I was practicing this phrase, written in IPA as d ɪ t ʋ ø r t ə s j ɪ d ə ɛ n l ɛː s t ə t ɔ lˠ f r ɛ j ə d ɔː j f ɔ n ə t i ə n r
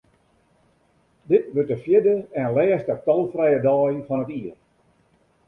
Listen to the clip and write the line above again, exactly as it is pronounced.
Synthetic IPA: d ɪ t ʋ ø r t ə f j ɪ d ə ɛ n l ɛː s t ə t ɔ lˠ f r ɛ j ə d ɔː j f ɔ n ə t i ə r